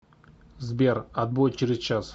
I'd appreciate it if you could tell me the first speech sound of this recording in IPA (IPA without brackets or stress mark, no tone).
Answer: z